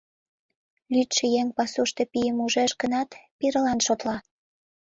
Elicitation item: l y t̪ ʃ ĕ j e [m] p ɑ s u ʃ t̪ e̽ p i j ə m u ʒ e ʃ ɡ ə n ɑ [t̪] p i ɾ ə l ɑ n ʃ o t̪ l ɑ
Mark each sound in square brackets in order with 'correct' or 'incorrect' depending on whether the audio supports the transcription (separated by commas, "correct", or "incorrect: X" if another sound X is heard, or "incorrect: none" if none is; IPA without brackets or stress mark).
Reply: incorrect: ŋ, correct